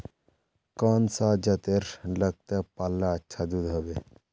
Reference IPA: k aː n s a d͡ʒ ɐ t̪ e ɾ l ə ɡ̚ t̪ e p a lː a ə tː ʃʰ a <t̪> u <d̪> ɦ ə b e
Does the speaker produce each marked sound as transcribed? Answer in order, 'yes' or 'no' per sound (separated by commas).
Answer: no, yes